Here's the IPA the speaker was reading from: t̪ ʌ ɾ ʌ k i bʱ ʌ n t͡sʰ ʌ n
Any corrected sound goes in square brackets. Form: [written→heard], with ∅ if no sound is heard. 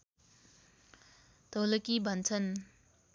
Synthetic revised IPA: t̪ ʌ [ɾ→l] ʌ k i bʱ ʌ n t͡sʰ ʌ n